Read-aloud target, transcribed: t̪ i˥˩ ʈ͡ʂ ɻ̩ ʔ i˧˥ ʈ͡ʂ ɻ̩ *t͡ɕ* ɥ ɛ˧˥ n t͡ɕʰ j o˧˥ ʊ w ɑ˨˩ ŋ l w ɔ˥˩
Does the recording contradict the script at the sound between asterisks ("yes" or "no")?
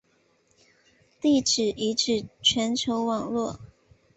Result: yes